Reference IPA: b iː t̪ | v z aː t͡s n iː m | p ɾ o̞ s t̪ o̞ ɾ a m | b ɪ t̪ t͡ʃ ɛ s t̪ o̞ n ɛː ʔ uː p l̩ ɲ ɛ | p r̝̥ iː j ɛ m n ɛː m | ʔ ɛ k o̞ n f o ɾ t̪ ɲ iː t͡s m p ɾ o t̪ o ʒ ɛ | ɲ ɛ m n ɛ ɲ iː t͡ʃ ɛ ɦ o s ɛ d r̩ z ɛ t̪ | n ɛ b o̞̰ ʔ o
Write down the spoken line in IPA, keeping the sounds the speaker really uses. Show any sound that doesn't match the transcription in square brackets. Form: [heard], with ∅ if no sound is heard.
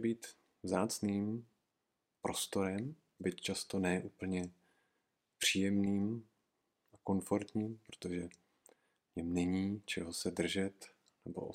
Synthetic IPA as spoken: b iː t̪ | v z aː t͡s n iː m | p ɾ o̞ s t̪ o̞ ɾ [ɛ] m | b ɪ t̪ t͡ʃ [a] s t̪ o̞ n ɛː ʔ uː p l̩ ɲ ɛ | p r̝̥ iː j ɛ m n [iː] m | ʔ [a] k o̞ n f o ɾ t̪ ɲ iː [∅] m p ɾ o t̪ o ʒ ɛ | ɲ ɛ m n ɛ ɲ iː t͡ʃ ɛ ɦ o s ɛ d r̩ [ʒ] ɛ t̪ | n ɛ b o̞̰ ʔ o